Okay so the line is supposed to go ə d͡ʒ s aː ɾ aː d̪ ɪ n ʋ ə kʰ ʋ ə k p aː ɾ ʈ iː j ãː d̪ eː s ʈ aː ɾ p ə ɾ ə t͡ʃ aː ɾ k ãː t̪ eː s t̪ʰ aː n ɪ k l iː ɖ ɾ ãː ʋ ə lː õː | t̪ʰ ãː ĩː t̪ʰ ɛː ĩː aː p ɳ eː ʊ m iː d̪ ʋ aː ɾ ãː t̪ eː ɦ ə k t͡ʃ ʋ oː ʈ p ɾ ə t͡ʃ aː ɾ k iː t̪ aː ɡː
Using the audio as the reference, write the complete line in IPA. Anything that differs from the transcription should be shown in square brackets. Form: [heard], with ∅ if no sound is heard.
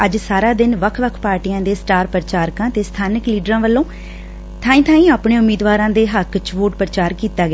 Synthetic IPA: ə d͡ʒ s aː ɾ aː d̪ ɪ n ʋ ə kʰ ʋ ə [kʰ] p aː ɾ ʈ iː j ãː d̪ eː s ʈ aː ɾ p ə ɾ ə t͡ʃ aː ɾ k ãː t̪ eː s t̪ʰ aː n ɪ k l iː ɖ ɾ ãː ʋ ə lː õː | t̪ʰ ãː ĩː t̪ʰ [aː] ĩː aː p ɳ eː ʊ m iː d̪ ʋ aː ɾ ãː [d̪] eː ɦ ə k t͡ʃ ʋ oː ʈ p ɾ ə t͡ʃ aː ɾ k iː t̪ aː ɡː